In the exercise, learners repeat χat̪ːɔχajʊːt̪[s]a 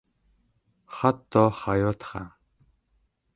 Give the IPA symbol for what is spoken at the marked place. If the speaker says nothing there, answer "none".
χ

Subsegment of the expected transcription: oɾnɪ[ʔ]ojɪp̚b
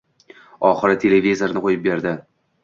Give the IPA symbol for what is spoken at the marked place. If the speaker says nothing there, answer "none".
q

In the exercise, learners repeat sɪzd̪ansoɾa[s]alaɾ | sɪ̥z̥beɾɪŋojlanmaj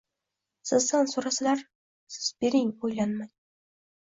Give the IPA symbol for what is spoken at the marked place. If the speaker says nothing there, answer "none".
s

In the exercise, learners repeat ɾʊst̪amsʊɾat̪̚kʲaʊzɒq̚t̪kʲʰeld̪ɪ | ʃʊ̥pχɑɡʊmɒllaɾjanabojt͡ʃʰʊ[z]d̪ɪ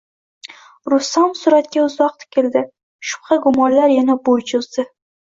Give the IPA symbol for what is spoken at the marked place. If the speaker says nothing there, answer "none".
z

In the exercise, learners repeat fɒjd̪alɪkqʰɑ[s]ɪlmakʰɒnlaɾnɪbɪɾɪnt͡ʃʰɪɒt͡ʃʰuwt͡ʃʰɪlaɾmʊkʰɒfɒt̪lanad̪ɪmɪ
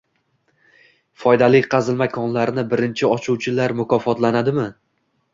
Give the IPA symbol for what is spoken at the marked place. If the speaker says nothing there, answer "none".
z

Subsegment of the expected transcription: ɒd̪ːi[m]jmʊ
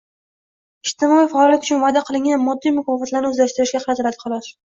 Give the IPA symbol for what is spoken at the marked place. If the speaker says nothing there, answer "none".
none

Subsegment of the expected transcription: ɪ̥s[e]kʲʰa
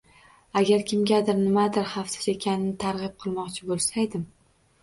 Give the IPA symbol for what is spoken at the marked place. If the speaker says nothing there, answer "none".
e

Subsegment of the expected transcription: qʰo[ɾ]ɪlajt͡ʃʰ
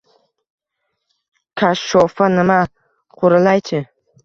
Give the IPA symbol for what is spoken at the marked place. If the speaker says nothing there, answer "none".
ɾ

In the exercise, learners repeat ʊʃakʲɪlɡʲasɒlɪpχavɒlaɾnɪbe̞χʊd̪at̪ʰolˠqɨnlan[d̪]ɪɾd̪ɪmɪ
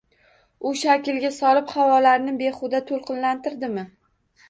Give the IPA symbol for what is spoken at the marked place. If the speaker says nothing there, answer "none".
t̪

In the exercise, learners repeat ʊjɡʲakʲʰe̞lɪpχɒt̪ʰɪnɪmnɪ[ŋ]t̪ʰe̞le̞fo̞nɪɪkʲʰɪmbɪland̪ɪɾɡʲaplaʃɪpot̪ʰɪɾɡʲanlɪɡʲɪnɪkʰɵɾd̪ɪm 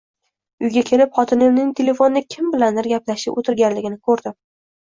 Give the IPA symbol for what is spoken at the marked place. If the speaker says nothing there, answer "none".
ŋ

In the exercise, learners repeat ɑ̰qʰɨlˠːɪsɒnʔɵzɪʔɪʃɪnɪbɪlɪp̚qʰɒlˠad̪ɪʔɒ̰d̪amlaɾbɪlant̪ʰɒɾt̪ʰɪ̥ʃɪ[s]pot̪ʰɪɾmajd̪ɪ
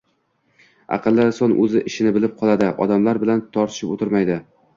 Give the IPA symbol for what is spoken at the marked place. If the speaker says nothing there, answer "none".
none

